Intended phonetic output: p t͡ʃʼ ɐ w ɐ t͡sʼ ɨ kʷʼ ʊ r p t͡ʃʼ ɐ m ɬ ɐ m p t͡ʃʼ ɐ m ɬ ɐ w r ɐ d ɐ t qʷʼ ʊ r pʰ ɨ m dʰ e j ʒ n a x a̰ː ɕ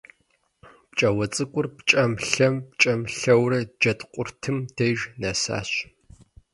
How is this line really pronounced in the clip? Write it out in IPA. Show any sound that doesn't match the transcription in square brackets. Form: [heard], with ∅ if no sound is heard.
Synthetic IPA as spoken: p t͡ʃʼ ɐ w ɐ t͡sʼ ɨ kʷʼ ʊ r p t͡ʃʼ ɐ m ɬ ɐ m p t͡ʃʼ ɐ m ɬ ɐ w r ɐ [d͡ʒ] ɐ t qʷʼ ʊ r [tʰ] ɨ m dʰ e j ʒ n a [s] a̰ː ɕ